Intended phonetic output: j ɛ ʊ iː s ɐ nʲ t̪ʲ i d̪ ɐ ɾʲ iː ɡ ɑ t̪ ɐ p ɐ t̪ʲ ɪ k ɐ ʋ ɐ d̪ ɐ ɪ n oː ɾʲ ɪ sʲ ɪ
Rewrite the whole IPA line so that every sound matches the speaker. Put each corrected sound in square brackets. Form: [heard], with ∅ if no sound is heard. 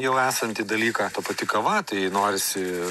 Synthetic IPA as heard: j ɛ ʊ [æː] s ɐ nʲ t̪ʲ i d̪ ɐ [lʲ] iː [k] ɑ t̪ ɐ p ɐ t̪ʲ ɪ k ɐ ʋ ɐ [t̪] ɐ ɪ n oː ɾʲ ɪ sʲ ɪ